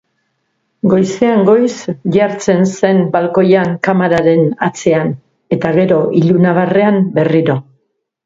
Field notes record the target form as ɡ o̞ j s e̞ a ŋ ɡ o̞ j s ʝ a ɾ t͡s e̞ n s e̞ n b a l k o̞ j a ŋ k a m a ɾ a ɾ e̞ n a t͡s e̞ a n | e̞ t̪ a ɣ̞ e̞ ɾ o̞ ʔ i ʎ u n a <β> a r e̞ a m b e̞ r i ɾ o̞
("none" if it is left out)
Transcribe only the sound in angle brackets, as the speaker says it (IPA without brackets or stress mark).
β